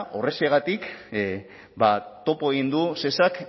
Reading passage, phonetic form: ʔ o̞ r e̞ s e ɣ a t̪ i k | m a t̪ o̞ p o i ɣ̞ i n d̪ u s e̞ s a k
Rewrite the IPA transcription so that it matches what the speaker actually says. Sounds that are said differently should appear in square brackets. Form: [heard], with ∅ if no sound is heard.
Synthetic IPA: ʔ o̞ r e̞ s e ɣ a t̪ i k | [b] a t̪ o̞ p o [e] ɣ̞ i n d̪ u s e̞ s a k